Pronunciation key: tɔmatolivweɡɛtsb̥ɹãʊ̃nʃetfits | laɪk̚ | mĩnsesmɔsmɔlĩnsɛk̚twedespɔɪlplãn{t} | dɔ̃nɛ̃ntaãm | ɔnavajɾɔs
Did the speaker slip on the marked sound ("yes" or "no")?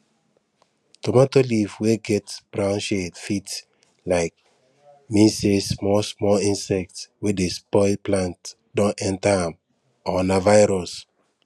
no